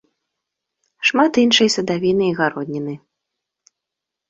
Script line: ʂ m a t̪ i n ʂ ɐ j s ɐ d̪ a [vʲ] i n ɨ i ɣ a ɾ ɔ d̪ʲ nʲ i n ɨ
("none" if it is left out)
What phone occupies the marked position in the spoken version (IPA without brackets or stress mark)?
vʲ